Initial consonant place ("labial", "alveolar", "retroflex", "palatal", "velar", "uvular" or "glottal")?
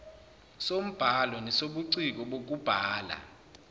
alveolar